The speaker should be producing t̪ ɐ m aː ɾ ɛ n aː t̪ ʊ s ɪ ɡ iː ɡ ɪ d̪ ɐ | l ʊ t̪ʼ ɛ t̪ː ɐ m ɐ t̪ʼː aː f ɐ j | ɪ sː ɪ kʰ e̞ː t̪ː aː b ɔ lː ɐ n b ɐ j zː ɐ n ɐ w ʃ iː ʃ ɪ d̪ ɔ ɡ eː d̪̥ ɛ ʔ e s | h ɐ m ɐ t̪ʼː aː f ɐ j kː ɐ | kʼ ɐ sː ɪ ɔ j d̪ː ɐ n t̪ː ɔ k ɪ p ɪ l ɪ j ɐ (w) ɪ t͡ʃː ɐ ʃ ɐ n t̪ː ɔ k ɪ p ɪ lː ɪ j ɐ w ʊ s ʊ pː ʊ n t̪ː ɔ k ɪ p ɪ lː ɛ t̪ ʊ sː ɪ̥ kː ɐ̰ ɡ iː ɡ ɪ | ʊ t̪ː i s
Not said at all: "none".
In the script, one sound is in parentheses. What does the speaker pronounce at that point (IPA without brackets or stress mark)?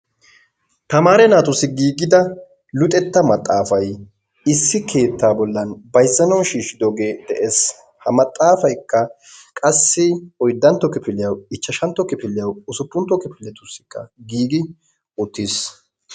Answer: w